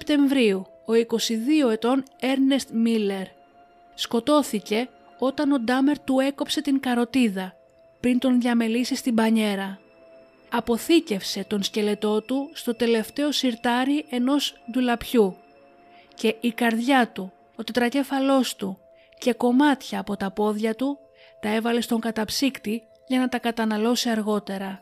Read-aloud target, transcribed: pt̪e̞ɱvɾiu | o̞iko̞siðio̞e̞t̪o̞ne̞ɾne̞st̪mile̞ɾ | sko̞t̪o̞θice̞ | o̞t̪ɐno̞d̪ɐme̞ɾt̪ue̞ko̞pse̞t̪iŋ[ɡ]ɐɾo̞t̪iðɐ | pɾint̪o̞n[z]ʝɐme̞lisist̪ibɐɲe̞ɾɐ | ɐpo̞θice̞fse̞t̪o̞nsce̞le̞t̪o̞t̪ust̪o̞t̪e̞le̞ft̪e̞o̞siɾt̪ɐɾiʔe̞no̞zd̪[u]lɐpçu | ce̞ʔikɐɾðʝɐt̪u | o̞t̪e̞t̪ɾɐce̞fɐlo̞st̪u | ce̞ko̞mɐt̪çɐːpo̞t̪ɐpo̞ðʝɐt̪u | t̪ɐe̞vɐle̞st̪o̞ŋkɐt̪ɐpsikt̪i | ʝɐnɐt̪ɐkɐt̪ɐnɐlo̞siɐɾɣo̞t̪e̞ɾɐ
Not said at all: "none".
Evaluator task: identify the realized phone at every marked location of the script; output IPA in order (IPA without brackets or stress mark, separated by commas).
k, ð, u